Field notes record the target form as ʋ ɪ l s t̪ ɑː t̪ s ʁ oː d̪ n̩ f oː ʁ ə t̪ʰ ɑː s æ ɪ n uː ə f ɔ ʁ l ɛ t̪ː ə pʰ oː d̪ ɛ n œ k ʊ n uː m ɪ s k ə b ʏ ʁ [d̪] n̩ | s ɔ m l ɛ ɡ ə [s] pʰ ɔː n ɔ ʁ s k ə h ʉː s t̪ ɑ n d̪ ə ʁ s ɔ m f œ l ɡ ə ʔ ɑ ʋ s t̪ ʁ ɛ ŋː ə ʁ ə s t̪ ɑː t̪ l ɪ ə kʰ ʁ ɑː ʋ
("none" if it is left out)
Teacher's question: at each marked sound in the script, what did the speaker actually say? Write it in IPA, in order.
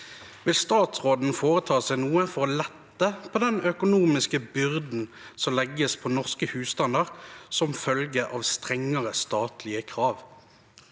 d̪, s

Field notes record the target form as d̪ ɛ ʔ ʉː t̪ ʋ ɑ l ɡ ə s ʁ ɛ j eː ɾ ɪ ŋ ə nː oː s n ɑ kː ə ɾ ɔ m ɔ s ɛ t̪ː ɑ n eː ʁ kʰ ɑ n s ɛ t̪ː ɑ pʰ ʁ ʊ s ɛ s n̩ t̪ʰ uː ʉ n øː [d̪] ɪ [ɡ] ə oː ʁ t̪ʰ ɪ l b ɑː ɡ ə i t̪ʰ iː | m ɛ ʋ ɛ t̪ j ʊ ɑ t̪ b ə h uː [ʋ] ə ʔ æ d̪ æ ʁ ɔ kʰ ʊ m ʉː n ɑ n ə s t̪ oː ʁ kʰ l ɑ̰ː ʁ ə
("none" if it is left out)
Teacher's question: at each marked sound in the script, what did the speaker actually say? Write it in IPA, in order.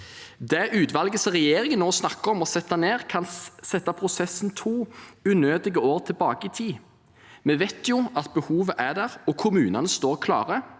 d̪, ɡ, ʋ

